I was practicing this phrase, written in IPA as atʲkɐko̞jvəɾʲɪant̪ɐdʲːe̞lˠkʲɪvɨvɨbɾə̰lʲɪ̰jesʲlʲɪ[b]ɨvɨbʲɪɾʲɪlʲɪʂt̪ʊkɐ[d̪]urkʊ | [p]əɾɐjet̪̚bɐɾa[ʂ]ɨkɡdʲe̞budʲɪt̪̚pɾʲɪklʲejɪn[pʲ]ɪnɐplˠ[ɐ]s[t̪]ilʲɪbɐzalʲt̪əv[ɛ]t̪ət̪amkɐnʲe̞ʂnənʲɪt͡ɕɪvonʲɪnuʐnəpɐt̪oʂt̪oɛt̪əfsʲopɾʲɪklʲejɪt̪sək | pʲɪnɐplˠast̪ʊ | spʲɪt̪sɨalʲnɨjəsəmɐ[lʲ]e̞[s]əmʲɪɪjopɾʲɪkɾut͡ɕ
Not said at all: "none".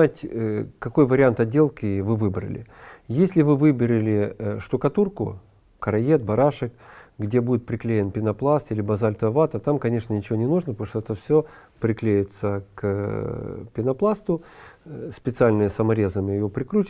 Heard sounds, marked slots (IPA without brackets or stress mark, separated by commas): v, t̪, k, ʂ, pʲ, a, t̪, a, ɾʲ, z